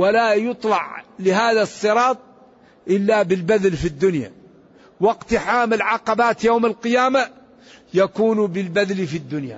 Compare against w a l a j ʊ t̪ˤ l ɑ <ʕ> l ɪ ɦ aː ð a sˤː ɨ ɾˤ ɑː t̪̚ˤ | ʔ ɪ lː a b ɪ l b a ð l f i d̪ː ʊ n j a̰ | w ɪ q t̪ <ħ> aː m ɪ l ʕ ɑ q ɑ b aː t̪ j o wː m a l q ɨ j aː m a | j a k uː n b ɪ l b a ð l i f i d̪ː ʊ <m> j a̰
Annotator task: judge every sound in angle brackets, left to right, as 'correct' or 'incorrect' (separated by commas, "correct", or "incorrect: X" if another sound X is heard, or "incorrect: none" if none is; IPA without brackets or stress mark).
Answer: correct, correct, incorrect: n